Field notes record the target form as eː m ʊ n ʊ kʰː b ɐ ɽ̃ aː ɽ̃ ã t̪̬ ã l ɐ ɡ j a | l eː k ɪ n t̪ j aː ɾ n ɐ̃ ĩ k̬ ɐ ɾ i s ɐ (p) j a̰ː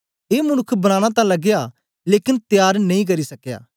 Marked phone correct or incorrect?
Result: incorrect